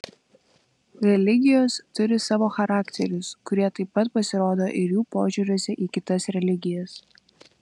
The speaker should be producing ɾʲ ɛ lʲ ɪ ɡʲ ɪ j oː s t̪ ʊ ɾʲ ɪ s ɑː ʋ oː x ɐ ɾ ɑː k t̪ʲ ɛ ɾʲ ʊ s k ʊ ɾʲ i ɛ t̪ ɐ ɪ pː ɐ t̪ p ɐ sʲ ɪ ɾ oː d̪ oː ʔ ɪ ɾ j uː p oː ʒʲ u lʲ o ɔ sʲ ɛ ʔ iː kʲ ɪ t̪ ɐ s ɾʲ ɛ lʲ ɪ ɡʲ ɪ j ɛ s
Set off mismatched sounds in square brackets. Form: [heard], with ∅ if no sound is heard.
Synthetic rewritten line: ɾʲ ɛ lʲ ɪ ɡʲ ɪ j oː s t̪ ʊ ɾʲ ɪ s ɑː ʋ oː x ɐ ɾ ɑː k t̪ʲ ɛ ɾʲ ʊ s k ʊ ɾʲ i ɛ t̪ ɐ ɪ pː ɐ t̪ p ɐ sʲ ɪ ɾ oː d̪ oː ʔ ɪ ɾ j uː p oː ʒʲ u [ɾʲ] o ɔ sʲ ɛ ʔ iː kʲ ɪ t̪ ɐ s ɾʲ ɛ lʲ ɪ ɡʲ ɪ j ɛ s